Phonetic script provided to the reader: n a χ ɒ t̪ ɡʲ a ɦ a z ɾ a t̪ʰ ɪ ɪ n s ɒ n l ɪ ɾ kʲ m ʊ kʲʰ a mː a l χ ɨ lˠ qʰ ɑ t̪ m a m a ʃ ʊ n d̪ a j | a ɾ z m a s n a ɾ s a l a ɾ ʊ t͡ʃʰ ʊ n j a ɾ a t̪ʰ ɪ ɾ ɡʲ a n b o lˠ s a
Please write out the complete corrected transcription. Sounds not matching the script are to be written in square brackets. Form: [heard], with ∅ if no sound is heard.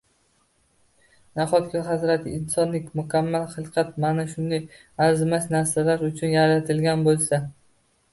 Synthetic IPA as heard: n a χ ɒ t̪ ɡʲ a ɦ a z ɾ a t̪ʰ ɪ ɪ n s ɒ n l ɪ [∅] kʲ m ʊ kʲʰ a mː a l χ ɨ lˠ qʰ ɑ t̪ m a [n] a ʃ ʊ n d̪ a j | a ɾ z m a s n a ɾ s a l a ɾ ʊ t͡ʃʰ ʊ n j a ɾ a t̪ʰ ɪ [l] ɡʲ a n b o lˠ s a

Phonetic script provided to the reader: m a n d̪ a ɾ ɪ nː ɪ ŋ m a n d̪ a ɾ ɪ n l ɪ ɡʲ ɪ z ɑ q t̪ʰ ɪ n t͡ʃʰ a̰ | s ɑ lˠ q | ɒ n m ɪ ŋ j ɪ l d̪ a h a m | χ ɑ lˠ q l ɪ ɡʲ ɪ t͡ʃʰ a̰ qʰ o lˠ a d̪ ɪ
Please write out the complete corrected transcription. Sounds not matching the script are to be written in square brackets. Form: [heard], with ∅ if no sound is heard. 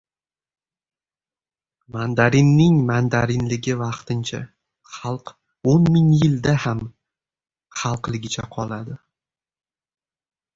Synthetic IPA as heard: m a n d̪ a ɾ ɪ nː ɪ ŋ m a n d̪ a ɾ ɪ n l ɪ ɡʲ ɪ [v] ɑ q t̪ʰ ɪ n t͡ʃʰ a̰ | [χ] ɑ lˠ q | [o] n m ɪ ŋ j ɪ l d̪ a h a m | χ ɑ lˠ q l ɪ ɡʲ ɪ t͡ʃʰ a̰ qʰ [ɒ] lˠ a d̪ ɪ

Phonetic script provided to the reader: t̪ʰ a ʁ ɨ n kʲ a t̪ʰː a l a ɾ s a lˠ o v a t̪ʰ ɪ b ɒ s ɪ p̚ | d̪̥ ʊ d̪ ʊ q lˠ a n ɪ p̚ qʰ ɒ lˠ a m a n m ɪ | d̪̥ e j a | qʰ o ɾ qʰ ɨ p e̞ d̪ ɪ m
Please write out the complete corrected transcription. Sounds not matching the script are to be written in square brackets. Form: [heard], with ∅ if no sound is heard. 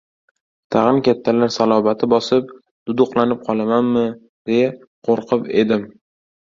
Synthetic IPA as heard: t̪ʰ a ʁ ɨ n kʲ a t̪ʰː a l a ɾ s a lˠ [ɒ] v a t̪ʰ ɪ b ɒ s ɪ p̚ | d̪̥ ʊ d̪ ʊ q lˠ a n ɪ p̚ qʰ ɒ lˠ a m a n m ɪ | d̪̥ e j a | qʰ o ɾ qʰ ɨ p e̞ d̪ ɪ m

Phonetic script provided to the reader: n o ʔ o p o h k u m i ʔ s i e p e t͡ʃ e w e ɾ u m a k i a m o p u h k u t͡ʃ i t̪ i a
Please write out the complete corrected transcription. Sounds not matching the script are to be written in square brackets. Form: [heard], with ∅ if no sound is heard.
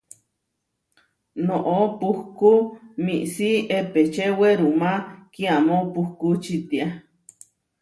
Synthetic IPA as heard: n o ʔ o p [u] h k u m i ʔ s i e p e t͡ʃ e w e ɾ u m a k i a m o p u h k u t͡ʃ i t̪ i a

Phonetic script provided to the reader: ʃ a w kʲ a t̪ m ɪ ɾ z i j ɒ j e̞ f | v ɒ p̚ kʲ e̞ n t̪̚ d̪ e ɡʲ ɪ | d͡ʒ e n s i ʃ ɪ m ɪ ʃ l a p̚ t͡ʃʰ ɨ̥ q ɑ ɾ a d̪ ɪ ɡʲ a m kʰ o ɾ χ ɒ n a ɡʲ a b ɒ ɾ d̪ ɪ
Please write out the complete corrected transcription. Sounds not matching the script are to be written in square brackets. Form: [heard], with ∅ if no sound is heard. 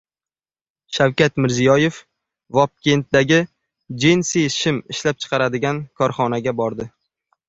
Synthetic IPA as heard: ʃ a w kʲ a t̪ m ɪ ɾ z i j ɒ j e̞ f | v ɒ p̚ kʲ e̞ n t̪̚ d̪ [a] ɡʲ ɪ | d͡ʒ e n s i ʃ ɪ m ɪ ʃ l a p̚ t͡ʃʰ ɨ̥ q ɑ ɾ a d̪ ɪ ɡʲ a [n] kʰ [ɒ] ɾ χ ɒ n a ɡʲ a b ɒ ɾ d̪ ɪ

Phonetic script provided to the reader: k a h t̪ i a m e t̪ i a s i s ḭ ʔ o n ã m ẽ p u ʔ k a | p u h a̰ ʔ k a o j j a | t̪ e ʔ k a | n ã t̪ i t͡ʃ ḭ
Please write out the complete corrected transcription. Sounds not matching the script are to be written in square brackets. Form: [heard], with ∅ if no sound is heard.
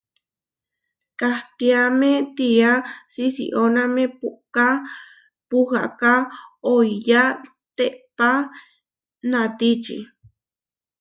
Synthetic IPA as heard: k a h t̪ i a m e t̪ i a s i s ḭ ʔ o n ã m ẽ p u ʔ k a | p u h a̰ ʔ k a o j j a | t̪ e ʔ [p] a | n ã t̪ i t͡ʃ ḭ

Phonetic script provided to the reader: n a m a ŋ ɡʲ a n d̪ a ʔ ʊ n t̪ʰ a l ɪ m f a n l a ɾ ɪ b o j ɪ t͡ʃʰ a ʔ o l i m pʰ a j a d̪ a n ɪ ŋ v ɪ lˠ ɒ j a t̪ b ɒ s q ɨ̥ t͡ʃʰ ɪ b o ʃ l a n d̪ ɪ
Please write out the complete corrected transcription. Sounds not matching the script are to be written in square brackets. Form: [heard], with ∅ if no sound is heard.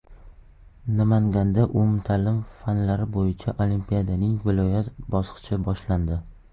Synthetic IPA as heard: n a m a ŋ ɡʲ a n d̪ a ʔ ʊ [m] t̪ʰ a l ɪ m f a n l a ɾ ɪ b o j ɪ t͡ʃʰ a ʔ o l i m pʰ [i] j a d̪ a n ɪ ŋ v ɪ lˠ ɒ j a t̪ b ɒ s q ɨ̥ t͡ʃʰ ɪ b [ɒ] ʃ l a n d̪ ɪ

